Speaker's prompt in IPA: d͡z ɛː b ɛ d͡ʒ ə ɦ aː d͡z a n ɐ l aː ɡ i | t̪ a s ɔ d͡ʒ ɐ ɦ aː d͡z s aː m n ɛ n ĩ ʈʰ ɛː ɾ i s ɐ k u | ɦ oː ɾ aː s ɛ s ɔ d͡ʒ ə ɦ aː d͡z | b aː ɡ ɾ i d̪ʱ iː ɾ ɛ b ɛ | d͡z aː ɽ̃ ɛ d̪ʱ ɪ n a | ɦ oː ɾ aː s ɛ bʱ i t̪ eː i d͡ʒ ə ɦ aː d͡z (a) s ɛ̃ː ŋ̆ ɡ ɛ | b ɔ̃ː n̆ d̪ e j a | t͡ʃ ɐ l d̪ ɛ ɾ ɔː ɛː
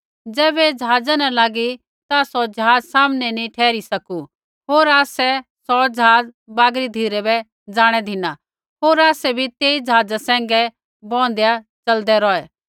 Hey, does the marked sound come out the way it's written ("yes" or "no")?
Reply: yes